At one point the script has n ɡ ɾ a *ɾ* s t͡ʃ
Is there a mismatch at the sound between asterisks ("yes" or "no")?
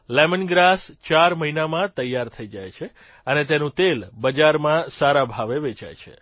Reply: yes